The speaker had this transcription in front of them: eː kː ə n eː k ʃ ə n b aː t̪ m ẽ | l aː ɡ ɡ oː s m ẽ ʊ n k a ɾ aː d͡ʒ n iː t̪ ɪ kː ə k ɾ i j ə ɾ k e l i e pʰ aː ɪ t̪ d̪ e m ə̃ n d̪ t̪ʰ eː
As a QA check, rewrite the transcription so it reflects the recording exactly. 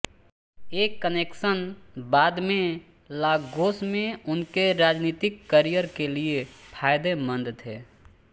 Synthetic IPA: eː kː ə n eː k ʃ ə n b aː d̪ m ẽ | l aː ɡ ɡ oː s m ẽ ʊ n k e ɾ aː d͡ʒ n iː t̪ ɪ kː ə ɾ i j ə ɾ k e l i e pʰ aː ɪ d̪ e m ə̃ n d̪ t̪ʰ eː